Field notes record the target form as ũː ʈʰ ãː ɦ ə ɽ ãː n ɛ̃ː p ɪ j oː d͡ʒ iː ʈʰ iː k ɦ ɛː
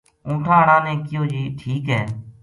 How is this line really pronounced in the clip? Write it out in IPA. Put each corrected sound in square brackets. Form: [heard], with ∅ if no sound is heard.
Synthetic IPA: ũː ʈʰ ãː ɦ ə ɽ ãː n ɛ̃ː [k] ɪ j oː d͡ʒ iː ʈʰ iː k ɦ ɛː